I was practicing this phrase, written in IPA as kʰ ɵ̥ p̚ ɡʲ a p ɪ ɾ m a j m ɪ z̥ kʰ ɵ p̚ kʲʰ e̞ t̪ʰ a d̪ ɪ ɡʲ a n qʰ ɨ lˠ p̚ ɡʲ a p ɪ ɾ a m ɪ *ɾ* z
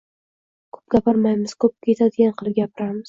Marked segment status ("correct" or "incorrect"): incorrect